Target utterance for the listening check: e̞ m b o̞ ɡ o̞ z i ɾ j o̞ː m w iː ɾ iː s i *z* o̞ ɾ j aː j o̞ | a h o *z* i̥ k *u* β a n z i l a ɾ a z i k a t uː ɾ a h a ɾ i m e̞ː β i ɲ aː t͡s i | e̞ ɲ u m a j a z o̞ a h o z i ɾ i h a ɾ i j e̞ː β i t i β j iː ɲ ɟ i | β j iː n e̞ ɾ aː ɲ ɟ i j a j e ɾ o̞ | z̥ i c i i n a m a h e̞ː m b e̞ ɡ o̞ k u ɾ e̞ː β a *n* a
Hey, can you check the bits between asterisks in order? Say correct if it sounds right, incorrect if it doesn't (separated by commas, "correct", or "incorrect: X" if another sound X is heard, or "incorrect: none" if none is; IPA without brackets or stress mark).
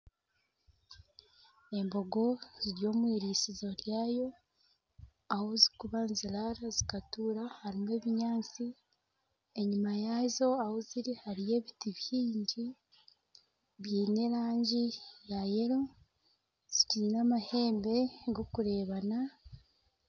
correct, correct, correct, correct